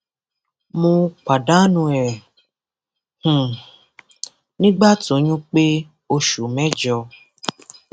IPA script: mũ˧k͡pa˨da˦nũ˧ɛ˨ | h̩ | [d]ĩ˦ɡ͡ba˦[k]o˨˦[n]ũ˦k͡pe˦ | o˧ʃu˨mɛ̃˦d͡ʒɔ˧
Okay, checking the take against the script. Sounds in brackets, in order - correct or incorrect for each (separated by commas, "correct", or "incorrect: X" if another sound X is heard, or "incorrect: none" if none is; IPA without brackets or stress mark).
incorrect: n, incorrect: t, incorrect: ɲ